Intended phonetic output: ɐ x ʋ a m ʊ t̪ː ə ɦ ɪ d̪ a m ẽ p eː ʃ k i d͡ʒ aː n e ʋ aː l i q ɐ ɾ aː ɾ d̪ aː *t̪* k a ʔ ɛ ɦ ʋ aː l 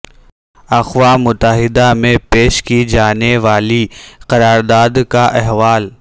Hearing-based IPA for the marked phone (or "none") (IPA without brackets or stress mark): d̪